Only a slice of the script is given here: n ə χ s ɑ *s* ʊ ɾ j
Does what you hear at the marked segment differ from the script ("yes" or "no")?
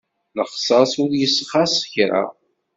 no